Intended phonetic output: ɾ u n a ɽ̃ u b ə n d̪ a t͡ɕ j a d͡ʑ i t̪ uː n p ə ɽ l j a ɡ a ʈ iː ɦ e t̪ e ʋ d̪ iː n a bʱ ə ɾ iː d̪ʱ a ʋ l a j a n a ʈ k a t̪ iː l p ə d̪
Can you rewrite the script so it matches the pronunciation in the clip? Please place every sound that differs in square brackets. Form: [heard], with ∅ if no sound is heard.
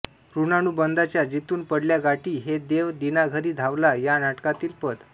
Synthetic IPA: ɾ u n a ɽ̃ u b ə n d̪ a t͡ɕ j a d͡ʑ i t̪ uː n p ə ɽ l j a ɡ a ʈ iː ɦ e [d̪] e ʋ d̪ [i] n a [ɡʱ] ə ɾ iː d̪ʱ a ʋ l a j a n a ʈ k a t̪ iː l p ə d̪

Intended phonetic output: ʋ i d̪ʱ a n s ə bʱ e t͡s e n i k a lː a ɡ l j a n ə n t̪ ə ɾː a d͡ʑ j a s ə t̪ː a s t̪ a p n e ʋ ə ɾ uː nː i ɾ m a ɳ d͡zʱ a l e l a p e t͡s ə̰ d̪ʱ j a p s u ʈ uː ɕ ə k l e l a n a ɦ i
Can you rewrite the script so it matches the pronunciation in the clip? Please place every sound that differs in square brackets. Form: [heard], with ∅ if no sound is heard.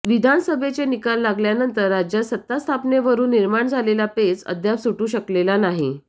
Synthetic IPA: ʋ i d̪ʱ a n s ə bʱ e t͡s e n i k a lː a ɡ l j a n ə n t̪ ə ɾː a d͡ʑ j a s ə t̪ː a s [t̪ʰ] a p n e ʋ ə ɾ uː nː i ɾ m a ɳ d͡zʱ a l e l a p e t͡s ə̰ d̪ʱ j a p s u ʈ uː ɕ ə k l e l a n a ɦ i

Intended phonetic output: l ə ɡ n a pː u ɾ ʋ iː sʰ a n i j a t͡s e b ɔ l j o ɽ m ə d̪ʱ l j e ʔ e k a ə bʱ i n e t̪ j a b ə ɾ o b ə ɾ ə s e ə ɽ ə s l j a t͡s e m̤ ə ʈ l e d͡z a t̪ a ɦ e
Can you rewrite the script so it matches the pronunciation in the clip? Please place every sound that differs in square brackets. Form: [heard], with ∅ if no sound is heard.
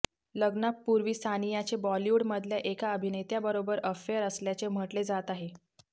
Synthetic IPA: l ə ɡ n a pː u ɾ ʋ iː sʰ a n i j a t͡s e b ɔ l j [u] ɽ m ə d̪ʱ l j [a] ʔ e k a ə bʱ i n e t̪ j a b ə ɾ o b ə ɾ ə [f] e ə [ɾ] ə s l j a t͡s e m̤ ə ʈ l e d͡z a t̪ a ɦ e

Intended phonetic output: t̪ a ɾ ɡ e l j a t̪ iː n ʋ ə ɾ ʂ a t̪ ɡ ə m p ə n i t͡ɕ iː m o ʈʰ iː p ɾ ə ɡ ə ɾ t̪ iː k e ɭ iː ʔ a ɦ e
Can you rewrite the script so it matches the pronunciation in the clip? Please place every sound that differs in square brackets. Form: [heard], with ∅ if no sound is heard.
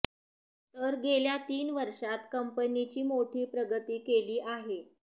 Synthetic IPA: t̪ [ə] ɾ ɡ e l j a t̪ iː n ʋ ə ɾ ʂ a t̪ [k] ə m p ə n i t͡ɕ iː m o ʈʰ iː p ɾ ə ɡ ə [∅] t̪ iː k e [l] iː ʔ a ɦ e

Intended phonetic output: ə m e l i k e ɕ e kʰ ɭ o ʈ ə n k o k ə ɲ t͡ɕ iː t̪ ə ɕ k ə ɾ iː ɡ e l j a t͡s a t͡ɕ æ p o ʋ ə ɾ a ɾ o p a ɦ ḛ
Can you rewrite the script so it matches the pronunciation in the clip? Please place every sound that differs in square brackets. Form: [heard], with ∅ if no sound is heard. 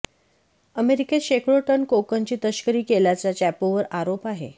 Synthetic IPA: ə m e [ɾ] i k e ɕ e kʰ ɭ o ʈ ə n k o k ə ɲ t͡ɕ iː t̪ ə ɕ k ə ɾ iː [k] e l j a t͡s a t͡ɕ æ p o ʋ ə ɾ a ɾ o p a ɦ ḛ

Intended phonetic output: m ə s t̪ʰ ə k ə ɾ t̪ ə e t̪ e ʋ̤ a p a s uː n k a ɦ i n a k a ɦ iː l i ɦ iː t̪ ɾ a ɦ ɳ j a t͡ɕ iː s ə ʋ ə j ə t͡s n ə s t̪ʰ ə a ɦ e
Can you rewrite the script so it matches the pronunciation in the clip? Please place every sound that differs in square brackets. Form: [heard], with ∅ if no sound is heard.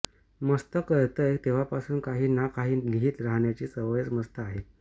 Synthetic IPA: m ə s [t̪] ə k ə ɾ t̪ ə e t̪ e ʋ̤ a p a s uː n k a ɦ [iː] n a k a ɦ iː l i ɦ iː t̪ ɾ a ɦ ɳ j a t͡ɕ iː s ə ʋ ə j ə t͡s [m] ə s [t̪] ə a ɦ e

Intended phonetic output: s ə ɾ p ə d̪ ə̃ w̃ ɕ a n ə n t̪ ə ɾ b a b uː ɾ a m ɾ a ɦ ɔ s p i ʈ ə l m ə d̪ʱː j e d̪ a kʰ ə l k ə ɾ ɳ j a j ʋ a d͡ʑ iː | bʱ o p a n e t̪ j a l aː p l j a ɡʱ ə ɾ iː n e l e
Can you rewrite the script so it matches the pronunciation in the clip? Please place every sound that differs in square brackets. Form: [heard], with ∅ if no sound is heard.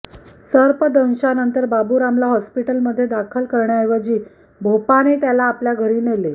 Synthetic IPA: s ə ɾ p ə d̪ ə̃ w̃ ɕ a n ə n t̪ ə ɾ b a b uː ɾ a m [l] a ɦ ɔ s p i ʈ ə l m ə d̪ʱː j e d̪ a kʰ ə l k ə ɾ ɳ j a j ʋ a d͡ʑ iː | bʱ o p a n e t̪ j a l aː p l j a ɡʱ ə ɾ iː n e l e

